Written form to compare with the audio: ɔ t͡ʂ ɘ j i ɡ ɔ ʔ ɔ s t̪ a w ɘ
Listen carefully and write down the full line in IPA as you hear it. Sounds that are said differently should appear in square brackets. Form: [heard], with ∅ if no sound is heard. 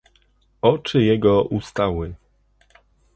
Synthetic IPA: ɔ t͡ʂ ɘ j [ɛ] ɡ ɔ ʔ [u] s t̪ a w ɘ